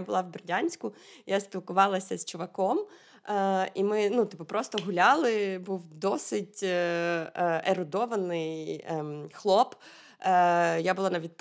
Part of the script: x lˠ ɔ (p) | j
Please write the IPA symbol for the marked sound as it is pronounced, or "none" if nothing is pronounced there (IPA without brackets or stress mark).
p